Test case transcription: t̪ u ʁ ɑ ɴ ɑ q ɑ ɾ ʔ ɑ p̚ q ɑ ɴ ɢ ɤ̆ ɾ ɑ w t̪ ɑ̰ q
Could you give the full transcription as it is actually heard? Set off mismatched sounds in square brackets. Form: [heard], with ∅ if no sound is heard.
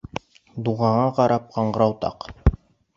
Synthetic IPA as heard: [d̪] u ʁ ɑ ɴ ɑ q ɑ ɾ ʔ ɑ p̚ q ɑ ɴ ɢ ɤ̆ ɾ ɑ w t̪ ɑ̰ q